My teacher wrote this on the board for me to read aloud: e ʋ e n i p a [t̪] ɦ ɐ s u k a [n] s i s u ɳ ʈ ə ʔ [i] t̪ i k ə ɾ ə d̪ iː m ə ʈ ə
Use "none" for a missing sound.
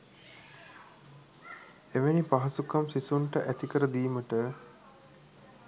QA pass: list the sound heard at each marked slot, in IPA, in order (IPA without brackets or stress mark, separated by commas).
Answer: none, m, æ